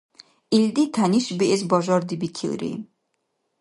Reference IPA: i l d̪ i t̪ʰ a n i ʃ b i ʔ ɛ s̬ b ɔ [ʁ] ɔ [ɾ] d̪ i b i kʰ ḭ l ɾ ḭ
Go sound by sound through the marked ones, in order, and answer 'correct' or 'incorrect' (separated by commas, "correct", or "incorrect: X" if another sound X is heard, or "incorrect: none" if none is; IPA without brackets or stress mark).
incorrect: ʒ, correct